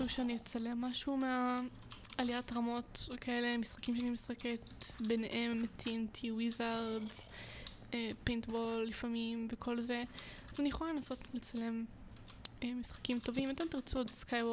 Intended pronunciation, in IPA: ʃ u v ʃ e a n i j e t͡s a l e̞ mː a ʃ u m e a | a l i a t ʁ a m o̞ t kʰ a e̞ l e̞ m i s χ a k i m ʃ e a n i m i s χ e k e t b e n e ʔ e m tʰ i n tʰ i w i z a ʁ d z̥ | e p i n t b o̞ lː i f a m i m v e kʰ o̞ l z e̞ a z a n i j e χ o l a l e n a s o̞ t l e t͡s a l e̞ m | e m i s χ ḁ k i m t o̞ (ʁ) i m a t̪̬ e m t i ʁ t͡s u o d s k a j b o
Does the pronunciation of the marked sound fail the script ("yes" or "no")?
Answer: yes